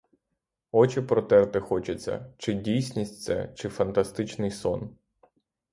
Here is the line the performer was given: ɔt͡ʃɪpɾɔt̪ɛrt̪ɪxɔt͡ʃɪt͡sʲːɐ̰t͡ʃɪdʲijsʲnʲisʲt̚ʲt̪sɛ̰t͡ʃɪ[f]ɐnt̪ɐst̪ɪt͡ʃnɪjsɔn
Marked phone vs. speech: correct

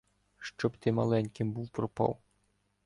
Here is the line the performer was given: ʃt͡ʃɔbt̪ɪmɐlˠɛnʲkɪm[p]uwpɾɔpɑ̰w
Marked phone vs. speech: incorrect: b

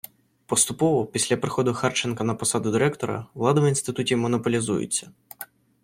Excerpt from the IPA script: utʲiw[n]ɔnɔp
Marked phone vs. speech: incorrect: m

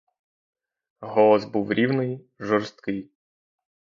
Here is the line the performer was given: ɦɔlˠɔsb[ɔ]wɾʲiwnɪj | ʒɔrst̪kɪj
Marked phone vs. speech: incorrect: u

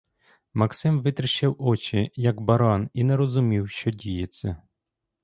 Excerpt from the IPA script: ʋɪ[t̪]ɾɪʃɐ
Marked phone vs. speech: correct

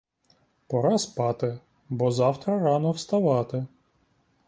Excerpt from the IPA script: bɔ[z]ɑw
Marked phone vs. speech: correct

